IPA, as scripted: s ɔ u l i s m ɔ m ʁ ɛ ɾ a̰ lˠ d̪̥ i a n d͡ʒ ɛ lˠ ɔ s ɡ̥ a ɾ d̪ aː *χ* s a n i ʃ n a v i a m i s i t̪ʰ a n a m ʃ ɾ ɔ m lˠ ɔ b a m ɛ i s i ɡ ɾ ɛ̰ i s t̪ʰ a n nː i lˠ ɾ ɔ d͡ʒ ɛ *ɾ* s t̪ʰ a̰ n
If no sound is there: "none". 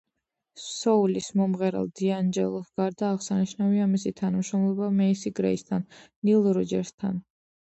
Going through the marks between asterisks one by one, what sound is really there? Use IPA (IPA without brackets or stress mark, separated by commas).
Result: ʁ, ɾ